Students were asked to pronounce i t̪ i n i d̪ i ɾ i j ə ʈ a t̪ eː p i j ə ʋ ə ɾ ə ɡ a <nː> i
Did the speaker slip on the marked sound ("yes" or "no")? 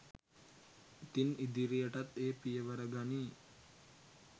yes